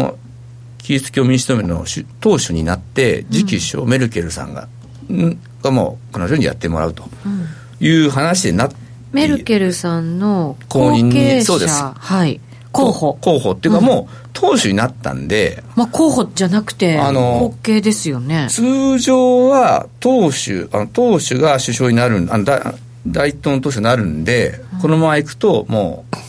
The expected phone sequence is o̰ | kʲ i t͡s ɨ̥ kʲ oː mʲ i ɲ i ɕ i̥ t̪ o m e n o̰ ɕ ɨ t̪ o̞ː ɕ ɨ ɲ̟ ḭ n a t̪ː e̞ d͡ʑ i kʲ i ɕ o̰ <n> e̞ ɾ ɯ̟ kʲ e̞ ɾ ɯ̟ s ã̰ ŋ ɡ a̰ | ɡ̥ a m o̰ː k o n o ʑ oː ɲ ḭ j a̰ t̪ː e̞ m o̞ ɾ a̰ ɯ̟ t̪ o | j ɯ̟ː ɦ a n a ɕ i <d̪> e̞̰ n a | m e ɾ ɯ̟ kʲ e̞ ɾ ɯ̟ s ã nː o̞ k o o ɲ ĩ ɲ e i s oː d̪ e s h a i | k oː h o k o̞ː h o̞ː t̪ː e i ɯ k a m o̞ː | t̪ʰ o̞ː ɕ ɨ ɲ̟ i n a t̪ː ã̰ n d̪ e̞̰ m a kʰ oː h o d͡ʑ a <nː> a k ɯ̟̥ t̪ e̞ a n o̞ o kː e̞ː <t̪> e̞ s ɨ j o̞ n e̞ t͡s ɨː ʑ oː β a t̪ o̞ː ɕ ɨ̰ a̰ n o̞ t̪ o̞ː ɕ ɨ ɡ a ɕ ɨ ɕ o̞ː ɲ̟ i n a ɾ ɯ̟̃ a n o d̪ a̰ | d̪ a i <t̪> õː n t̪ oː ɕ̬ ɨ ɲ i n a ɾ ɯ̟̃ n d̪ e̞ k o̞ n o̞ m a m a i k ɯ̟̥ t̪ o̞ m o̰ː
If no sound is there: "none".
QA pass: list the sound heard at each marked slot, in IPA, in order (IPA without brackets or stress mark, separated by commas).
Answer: m, d̪, n, d̪, t̪